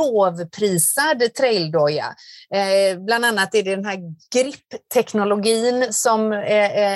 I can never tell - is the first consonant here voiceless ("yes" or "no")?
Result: no